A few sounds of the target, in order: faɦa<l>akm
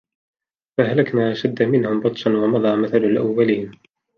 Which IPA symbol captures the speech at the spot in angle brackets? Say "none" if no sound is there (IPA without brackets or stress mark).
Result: l